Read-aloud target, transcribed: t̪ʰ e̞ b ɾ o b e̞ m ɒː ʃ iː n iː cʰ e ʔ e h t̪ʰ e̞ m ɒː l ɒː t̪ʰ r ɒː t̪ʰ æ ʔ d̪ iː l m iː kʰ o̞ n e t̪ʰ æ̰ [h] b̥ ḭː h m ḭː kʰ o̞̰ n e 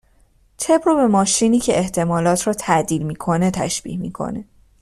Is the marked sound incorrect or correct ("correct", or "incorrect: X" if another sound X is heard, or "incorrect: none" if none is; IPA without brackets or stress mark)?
incorrect: ʃ